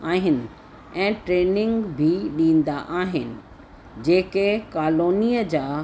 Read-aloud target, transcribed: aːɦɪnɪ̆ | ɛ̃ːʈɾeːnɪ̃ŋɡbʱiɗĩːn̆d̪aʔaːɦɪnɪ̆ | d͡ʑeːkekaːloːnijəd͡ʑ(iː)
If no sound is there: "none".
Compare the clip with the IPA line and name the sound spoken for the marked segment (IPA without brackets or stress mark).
aː